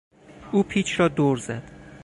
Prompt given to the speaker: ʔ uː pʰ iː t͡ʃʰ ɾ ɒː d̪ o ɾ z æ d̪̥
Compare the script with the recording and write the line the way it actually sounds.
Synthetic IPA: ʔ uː pʰ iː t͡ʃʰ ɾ ɒː d̪ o ɾ z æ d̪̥